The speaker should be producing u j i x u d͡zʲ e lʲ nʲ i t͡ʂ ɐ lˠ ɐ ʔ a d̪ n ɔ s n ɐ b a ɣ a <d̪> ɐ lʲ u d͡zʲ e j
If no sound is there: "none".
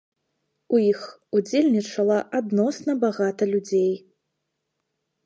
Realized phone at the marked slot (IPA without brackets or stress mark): t̪